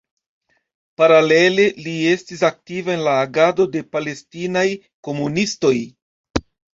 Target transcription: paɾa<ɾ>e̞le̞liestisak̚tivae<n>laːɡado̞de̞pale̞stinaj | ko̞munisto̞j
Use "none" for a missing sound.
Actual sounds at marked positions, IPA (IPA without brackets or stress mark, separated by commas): l, n